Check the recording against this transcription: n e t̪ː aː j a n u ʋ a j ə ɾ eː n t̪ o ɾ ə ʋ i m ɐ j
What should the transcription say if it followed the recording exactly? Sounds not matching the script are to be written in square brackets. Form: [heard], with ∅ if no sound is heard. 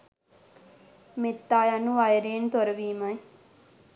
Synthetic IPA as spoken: [m] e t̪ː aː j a n u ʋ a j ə ɾ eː n t̪ o ɾ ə ʋ [iː] m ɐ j